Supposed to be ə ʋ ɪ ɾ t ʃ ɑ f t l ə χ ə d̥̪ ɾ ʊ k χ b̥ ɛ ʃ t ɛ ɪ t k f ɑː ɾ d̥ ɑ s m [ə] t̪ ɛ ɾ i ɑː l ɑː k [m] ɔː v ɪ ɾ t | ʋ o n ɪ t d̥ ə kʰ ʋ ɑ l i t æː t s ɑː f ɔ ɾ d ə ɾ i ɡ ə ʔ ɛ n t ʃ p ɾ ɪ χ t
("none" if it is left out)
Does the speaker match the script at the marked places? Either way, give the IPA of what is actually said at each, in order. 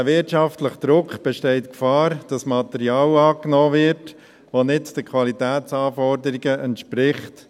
ɑ, n

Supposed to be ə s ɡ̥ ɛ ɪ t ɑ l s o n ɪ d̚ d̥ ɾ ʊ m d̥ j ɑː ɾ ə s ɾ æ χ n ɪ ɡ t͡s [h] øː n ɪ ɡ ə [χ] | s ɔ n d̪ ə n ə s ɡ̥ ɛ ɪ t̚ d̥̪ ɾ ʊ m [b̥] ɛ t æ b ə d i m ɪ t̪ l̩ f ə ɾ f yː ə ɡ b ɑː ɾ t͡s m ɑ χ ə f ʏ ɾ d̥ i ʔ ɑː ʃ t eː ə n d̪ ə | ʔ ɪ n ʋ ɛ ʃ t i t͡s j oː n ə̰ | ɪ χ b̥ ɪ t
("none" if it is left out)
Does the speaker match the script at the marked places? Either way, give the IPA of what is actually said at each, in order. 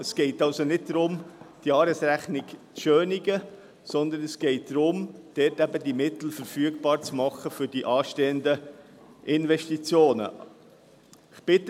ʃ, none, d̥

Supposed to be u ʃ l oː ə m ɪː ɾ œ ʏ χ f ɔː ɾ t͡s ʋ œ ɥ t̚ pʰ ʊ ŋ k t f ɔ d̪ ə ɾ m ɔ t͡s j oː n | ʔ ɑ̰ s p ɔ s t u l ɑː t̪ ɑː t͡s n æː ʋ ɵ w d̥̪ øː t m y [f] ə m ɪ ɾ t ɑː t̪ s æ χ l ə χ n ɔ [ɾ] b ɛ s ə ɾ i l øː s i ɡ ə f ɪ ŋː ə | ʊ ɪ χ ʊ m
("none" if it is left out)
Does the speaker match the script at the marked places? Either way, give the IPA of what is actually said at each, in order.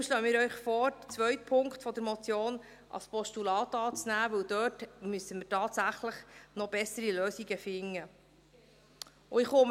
s, none

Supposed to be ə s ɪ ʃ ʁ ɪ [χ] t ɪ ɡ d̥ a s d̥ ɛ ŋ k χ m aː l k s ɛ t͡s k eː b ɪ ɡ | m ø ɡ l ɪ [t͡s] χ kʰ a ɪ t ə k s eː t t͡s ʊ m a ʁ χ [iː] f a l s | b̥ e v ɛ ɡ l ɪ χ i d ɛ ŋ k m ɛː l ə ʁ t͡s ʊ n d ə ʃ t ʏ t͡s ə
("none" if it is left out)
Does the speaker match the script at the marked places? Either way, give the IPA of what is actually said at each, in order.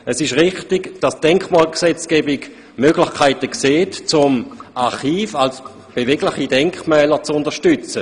χ, none, iː

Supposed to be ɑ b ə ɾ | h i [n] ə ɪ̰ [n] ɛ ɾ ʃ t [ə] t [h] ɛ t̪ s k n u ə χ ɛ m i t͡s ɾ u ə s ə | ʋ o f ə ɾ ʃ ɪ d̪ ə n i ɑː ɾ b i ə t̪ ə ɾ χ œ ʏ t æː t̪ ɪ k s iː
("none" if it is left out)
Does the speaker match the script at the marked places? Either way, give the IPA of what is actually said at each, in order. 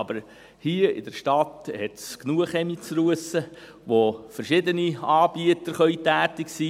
none, d, ɑ, h

